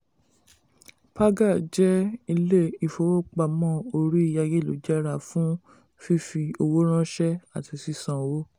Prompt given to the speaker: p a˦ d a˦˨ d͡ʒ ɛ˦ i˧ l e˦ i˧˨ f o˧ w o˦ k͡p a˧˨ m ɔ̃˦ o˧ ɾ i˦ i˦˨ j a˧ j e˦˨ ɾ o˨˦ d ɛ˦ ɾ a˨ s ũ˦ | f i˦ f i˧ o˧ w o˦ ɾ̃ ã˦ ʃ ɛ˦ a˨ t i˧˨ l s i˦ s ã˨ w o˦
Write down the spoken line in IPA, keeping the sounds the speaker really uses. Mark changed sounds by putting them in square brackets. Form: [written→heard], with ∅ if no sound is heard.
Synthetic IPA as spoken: p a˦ [d→ɡ] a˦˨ d͡ʒ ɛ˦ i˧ l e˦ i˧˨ f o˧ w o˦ k͡p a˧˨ m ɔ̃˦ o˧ ɾ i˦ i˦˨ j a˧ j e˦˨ [ɾ→l] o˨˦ [d→d͡ʒ] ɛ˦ ɾ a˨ [s→f] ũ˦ | f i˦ f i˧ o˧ w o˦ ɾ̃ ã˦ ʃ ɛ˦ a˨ t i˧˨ [l→∅] s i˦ s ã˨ w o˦

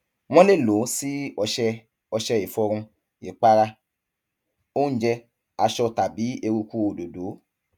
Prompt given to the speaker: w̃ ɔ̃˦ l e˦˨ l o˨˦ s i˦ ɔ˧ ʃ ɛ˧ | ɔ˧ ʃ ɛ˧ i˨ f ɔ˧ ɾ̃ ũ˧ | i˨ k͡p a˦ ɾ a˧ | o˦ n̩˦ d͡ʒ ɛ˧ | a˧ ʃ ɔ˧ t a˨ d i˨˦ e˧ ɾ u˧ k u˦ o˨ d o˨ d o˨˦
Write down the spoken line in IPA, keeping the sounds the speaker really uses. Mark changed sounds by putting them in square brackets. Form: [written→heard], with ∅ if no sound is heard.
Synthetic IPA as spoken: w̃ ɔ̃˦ l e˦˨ l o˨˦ s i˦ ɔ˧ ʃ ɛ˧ | ɔ˧ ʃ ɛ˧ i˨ f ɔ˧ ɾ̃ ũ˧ | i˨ k͡p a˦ ɾ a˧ | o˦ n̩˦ d͡ʒ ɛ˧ | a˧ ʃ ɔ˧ t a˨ [d→b] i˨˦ e˧ ɾ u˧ k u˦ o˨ d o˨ d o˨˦

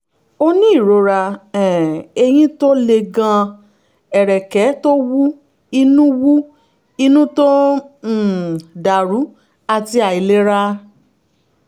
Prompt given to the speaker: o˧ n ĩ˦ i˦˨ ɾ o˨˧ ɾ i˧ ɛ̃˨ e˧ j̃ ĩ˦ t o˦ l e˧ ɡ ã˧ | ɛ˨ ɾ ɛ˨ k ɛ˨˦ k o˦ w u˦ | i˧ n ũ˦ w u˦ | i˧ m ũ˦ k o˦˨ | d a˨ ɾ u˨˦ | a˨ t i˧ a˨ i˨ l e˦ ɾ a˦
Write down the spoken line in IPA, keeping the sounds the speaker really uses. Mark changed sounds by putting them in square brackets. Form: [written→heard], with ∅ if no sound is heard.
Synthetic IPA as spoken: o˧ n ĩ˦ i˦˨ ɾ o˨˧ ɾ [i˧→a˧] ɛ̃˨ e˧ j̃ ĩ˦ t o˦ l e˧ ɡ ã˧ | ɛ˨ ɾ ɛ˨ k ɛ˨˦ [k→t] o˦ w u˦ | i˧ n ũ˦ w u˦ | i˧ [m→n] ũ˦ [k→t] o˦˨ | d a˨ ɾ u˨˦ | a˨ t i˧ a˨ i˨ l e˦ ɾ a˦

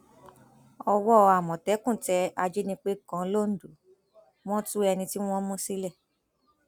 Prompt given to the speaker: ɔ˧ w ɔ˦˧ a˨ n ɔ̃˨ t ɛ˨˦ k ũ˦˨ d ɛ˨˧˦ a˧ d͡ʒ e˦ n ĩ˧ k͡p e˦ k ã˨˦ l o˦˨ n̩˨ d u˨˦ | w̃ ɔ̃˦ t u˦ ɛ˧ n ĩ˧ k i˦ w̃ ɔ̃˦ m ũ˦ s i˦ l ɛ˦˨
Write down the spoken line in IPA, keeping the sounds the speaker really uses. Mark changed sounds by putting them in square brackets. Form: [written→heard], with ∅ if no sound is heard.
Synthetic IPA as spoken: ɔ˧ w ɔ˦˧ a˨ [n→m] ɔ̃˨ t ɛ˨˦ k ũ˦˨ [d→t] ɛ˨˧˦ a˧ d͡ʒ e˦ n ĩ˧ k͡p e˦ k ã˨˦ l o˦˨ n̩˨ d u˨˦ | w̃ ɔ̃˦ t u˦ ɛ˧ n ĩ˧ [k→t] i˦ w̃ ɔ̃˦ m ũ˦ s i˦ l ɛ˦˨

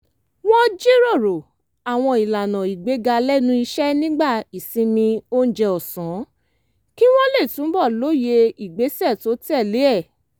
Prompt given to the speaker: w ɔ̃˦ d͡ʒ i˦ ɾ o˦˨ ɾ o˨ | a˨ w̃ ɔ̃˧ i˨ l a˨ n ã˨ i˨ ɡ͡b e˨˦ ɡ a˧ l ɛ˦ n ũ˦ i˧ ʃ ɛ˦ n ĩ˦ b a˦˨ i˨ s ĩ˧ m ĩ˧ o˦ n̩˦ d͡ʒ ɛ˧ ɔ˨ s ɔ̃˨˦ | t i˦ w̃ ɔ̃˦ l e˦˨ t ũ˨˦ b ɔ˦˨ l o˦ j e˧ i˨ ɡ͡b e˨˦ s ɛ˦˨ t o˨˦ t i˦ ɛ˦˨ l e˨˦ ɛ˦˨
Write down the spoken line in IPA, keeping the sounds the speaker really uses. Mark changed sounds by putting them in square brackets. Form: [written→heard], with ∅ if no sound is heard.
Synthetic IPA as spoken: w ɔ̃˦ d͡ʒ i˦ ɾ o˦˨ ɾ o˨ | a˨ w̃ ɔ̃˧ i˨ l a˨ n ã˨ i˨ ɡ͡b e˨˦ ɡ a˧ l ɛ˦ n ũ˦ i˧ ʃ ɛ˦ n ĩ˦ [b→ɡ͡b] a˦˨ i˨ s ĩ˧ m ĩ˧ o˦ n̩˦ d͡ʒ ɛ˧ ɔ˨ s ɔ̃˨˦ | [t→k] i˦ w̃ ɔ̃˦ l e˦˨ t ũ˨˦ b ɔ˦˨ l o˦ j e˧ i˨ ɡ͡b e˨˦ s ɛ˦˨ t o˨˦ t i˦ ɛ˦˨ l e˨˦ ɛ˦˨

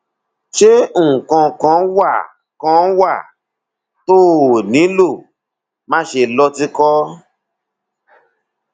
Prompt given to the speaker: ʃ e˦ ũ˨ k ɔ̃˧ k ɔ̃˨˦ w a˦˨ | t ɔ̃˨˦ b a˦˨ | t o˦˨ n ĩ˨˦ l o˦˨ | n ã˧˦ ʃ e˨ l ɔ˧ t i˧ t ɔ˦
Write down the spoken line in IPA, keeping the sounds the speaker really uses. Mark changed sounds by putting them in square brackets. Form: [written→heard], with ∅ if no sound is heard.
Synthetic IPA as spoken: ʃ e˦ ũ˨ k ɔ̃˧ k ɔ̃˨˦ w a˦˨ | [t→k] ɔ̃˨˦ [b→w] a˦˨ | t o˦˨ n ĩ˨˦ l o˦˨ | [n→m] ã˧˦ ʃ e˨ l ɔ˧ t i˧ [t→k] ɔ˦

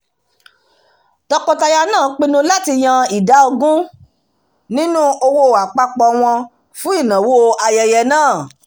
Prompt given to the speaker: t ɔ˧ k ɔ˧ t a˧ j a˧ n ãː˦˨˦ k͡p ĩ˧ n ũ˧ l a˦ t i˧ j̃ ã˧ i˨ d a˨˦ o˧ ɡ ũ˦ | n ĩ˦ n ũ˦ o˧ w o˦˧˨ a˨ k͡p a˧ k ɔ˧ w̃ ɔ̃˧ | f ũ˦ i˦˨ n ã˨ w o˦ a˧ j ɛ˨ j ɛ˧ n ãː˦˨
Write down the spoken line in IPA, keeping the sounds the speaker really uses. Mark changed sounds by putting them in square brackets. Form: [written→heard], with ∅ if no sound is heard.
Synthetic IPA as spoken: t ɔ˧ k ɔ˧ t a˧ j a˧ n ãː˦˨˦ k͡p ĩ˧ n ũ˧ l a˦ t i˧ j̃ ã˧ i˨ d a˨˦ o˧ ɡ ũ˦ | n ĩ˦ n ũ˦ o˧ w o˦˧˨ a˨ k͡p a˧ [k→k͡p] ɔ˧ w̃ ɔ̃˧ | f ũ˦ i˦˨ n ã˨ w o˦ a˧ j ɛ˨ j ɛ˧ n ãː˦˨

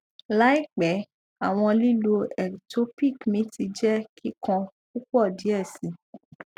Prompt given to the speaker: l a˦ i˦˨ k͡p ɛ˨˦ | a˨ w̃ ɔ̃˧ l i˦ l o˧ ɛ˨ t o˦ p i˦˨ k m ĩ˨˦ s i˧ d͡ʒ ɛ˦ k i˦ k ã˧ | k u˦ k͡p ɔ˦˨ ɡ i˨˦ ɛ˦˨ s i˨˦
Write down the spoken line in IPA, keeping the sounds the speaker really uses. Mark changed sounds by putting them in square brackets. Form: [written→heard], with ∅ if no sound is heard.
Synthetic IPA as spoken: l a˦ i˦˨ k͡p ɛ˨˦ | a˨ w̃ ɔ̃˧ l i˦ l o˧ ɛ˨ t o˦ p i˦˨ k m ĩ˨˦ [s→t] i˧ d͡ʒ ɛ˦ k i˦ k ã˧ | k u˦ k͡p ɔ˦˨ [ɡ→d] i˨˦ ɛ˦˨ s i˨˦

